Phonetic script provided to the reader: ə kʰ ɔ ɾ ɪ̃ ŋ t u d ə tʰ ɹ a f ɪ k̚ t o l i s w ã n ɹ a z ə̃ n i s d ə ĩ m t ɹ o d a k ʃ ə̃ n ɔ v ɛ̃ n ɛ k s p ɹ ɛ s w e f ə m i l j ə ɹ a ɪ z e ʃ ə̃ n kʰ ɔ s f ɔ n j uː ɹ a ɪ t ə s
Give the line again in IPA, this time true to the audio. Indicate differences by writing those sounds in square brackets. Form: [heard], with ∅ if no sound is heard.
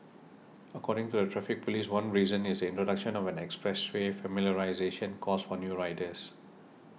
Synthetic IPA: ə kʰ ɔ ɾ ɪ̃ ŋ t u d ə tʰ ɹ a f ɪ k̚ [p] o l i s w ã n ɹ [i] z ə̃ n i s d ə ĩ [n] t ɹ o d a k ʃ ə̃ n ɔ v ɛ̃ n ɛ k s p ɹ ɛ s w e f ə m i l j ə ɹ a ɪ z e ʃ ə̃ n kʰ ɔ s f ɔ n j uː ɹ a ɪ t ə s